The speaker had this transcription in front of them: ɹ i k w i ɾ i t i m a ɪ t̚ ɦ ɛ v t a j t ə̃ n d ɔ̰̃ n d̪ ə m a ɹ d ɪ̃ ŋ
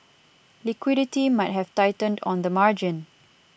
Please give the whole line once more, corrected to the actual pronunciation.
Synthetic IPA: l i k w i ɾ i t i m a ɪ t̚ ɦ ɛ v t a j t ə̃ n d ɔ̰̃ n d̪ ə m a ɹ d͡ʒ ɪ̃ n